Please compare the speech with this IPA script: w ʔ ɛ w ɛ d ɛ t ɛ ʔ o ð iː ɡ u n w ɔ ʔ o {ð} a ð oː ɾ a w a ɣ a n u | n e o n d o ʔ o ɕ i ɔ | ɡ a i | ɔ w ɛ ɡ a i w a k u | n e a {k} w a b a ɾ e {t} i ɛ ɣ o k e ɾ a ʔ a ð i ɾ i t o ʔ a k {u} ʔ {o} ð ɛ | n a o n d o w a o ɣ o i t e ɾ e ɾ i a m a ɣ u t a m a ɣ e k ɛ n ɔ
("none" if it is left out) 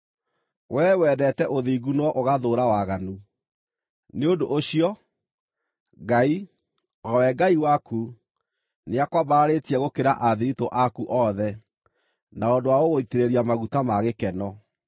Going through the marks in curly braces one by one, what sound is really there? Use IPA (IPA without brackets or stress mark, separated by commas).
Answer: ɣ, k, t, u, ɔ